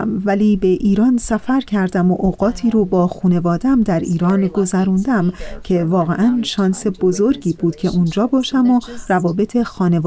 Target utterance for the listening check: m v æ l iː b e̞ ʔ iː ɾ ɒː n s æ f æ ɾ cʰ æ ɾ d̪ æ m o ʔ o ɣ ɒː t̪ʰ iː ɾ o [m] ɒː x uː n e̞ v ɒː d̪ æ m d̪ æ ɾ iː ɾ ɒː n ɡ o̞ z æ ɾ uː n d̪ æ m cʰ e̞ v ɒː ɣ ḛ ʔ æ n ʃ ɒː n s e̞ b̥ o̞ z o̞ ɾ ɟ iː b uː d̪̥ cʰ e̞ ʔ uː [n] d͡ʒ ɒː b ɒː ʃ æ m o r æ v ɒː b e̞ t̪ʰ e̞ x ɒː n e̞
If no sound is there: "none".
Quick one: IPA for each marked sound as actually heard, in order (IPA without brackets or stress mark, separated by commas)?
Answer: b, n